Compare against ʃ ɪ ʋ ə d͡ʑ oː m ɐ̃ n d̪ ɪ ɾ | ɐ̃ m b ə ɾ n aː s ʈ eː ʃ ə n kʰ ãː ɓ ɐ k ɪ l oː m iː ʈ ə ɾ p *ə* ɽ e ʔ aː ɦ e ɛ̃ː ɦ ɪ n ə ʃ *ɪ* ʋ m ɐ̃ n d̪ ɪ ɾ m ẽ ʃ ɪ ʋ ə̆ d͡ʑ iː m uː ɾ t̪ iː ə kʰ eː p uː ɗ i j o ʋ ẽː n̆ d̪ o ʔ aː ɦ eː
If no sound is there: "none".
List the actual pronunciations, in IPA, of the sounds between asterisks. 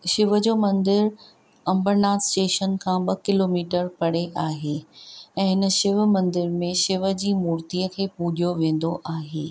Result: ɐ, ɪ

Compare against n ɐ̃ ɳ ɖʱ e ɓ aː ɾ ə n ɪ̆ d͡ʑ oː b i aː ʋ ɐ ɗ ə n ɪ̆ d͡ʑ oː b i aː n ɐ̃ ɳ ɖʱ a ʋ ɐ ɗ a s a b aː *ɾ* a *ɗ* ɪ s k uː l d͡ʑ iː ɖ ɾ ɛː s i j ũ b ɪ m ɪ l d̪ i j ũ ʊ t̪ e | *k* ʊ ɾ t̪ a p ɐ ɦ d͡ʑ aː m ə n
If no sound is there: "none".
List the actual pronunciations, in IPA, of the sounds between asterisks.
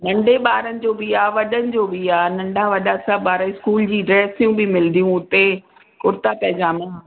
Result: ɾ, none, k

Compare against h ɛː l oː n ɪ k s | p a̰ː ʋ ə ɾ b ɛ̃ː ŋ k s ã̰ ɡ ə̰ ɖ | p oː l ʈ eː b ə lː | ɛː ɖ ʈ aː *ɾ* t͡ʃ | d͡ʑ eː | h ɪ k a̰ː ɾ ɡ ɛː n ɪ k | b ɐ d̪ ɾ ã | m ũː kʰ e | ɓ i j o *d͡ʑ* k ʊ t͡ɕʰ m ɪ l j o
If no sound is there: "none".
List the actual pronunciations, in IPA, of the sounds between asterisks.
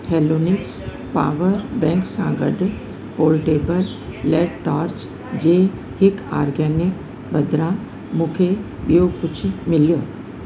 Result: ɾ, none

